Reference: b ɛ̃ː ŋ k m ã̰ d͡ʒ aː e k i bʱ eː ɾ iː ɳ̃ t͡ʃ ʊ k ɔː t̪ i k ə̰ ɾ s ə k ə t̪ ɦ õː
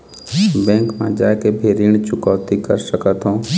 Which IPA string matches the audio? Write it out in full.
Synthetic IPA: b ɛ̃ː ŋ k m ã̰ d͡ʒ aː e k e bʱ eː ɾ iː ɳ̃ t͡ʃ ʊ k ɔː t̪ i k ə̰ ɾ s ə k ə t̪ ɦ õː

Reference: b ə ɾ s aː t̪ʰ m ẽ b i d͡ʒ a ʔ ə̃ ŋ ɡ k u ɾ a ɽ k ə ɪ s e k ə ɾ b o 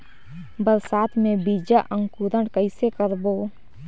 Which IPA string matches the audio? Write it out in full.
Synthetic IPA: b ə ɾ s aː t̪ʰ m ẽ b i d͡ʒ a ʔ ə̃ ŋ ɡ k u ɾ ə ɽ k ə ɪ s e k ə ɾ b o

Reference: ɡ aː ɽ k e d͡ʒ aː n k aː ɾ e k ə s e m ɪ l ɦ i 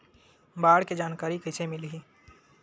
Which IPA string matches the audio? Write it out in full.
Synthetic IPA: b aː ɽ k e d͡ʒ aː n k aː ɾ i k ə s e m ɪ l ɦ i

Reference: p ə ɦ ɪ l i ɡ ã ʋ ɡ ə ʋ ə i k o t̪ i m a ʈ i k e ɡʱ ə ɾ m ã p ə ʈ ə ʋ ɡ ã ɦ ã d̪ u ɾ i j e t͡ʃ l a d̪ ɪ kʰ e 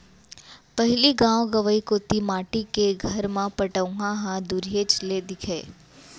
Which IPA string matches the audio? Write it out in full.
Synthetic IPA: p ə ɦ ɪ l i ɡ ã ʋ ɡ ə ʋ ə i k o t̪ i m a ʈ i k e ɡʱ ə ɾ m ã p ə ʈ ə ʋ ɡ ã ɦ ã d̪ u ɾ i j e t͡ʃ l e d̪ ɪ kʰ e

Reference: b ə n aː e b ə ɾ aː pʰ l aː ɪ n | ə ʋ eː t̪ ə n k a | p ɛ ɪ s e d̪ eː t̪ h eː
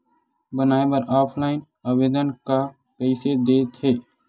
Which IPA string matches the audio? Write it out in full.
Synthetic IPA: b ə n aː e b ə ɾ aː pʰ l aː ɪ n | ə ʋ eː d̪ ə n k a | p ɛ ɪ s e d̪ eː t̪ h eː

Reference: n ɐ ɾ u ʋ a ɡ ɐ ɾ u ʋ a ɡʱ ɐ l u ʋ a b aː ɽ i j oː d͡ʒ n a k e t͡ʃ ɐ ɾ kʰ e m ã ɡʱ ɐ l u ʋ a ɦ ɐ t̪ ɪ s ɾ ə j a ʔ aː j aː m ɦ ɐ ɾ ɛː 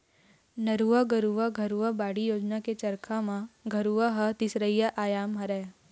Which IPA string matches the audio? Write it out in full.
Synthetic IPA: n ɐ ɾ u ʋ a ɡ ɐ ɾ u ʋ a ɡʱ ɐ ɾ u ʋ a b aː ɽ i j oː d͡ʒ n a k e t͡ʃ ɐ ɾ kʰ a m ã ɡʱ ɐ ɾ u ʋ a ɦ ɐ t̪ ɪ s ɾ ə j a ʔ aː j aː m ɦ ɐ ɾ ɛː

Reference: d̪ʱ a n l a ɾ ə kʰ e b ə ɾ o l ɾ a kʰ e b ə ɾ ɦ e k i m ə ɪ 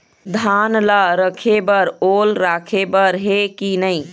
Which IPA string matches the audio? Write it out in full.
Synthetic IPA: d̪ʱ a n l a ɾ ə kʰ e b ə ɾ o l ɾ a kʰ e b ə ɾ ɦ e k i n ə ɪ

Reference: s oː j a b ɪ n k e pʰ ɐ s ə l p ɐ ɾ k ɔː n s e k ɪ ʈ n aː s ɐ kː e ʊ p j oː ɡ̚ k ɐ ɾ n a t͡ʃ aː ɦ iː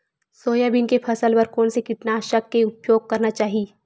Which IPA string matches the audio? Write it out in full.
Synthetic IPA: s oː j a b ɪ n k e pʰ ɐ s ə l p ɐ ɾ k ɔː n s e k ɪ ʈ n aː ʃ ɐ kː e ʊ p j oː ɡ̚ k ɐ ɾ n a t͡ʃ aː ɦ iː

